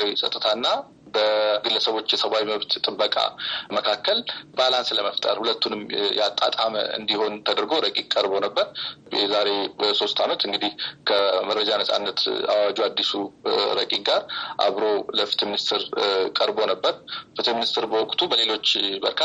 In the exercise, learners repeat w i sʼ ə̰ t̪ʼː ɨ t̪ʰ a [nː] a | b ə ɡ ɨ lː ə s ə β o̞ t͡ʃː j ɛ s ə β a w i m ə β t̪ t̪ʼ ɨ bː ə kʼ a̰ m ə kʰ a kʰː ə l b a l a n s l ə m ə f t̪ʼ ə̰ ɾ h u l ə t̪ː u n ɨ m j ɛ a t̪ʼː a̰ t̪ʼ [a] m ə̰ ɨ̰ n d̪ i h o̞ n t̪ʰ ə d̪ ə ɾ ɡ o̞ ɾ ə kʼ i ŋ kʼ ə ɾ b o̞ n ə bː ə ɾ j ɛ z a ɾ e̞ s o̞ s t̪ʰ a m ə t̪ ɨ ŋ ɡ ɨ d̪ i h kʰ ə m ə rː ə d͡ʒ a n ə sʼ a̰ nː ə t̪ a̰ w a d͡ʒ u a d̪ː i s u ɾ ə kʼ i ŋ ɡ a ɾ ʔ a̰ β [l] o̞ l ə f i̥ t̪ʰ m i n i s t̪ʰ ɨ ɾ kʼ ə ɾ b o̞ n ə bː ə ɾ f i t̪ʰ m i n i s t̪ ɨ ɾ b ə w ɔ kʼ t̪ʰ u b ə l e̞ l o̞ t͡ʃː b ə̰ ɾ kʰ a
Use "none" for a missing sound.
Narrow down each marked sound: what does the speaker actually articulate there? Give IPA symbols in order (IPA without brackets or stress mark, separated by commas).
nː, a, ɾ